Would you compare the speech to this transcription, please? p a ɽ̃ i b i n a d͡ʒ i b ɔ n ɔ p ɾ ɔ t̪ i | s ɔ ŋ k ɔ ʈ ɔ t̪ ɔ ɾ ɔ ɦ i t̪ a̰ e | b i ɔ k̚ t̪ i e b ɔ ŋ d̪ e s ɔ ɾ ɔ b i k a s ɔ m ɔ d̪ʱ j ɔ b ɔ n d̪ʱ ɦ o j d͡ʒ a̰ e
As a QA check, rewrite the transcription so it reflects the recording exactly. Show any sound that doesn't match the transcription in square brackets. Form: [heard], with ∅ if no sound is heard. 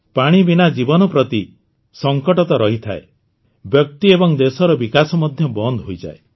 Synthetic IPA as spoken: p a ɽ̃ i b i n a d͡ʒ i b ɔ n ɔ p ɾ ɔ t̪ i | s ɔ ŋ k ɔ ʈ ɔ t̪ ɔ ɾ ɔ ɦ i [t̪ʰ] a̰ e | b [j] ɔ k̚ t̪ i e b ɔ ŋ d̪ e s ɔ ɾ ɔ b i k a s ɔ m ɔ d̪ʱ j ɔ b ɔ n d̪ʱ ɦ o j d͡ʒ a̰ e